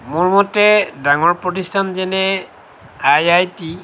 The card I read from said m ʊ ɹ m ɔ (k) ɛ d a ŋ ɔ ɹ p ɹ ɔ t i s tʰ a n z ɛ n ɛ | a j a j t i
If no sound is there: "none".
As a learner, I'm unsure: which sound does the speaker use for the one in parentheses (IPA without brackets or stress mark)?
t